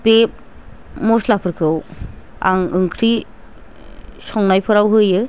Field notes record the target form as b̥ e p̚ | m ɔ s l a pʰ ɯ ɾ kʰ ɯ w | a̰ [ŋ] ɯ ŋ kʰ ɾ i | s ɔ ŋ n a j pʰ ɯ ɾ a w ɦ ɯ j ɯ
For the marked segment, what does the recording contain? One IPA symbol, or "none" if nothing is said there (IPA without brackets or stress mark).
ŋ